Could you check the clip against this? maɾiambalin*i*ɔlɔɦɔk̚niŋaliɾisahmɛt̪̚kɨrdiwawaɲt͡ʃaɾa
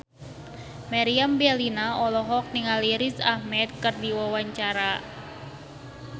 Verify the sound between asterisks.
incorrect: a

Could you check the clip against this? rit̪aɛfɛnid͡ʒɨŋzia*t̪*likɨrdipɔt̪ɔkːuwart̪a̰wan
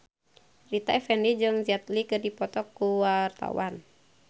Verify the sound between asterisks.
correct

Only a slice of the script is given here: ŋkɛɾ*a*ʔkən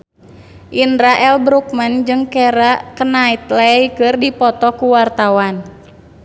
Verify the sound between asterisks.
correct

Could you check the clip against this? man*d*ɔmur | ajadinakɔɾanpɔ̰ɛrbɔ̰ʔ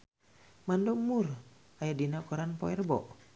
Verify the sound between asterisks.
correct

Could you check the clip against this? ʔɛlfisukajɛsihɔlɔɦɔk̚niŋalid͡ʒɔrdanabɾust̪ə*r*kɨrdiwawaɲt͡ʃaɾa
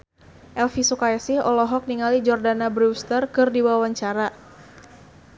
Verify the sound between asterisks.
correct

